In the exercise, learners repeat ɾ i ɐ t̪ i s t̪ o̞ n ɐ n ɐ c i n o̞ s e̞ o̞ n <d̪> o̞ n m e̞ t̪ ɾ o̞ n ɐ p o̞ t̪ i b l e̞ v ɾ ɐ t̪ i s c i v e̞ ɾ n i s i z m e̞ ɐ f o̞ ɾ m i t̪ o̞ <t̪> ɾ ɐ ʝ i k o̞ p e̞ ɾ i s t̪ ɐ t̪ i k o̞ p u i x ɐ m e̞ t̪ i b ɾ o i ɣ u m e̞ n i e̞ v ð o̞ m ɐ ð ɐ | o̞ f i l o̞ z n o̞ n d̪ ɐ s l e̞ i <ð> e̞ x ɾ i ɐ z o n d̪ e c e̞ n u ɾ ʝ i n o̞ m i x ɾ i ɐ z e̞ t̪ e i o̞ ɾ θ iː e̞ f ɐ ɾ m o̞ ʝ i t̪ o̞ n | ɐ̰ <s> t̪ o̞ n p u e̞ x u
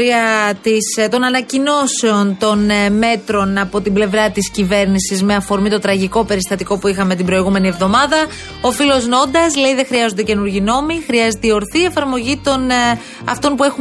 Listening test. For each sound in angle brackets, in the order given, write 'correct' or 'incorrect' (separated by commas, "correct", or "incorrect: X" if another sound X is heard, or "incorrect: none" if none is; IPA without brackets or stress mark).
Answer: incorrect: t̪, correct, correct, incorrect: f